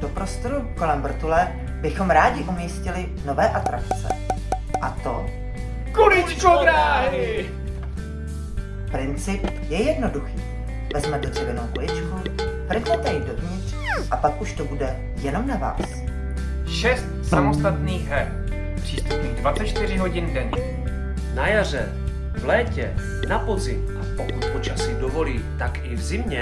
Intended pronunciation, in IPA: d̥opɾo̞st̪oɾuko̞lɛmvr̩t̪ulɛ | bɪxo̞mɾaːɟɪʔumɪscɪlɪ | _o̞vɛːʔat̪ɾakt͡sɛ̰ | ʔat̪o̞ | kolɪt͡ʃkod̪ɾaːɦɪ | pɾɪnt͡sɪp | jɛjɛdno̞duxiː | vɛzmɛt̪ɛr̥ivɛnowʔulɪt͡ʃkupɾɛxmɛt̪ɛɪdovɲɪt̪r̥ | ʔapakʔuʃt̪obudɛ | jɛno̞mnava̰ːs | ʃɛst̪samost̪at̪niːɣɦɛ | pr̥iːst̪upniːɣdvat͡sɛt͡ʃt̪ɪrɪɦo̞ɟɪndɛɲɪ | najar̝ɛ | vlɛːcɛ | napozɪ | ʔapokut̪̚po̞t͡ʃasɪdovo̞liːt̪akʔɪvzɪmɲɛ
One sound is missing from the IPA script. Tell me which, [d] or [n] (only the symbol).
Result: n